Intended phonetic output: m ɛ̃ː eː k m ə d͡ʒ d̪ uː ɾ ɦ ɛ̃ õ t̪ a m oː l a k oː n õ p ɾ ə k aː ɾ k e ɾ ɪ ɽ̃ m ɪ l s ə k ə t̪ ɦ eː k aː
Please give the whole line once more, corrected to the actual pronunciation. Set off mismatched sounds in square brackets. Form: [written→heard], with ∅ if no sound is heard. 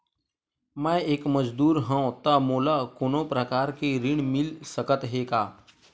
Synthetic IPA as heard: m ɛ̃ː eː k m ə d͡ʒ d̪ uː ɾ ɦ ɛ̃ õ t̪ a m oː l a k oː n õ p ɾ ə k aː ɾ k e ɾ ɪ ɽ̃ m ɪ l s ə k ə t̪ ɦ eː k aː